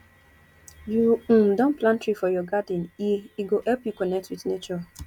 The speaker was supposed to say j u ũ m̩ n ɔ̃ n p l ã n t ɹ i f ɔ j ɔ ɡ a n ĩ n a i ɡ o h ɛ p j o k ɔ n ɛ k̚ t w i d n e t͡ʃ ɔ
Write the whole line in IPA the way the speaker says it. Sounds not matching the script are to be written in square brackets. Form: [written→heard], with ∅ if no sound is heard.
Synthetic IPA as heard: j u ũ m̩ [n→d] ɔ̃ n p l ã n t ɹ i f ɔ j ɔ ɡ a [n→d] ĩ n [a→i] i ɡ o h ɛ p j [o→u] k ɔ n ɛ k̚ t w i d n e t͡ʃ ɔ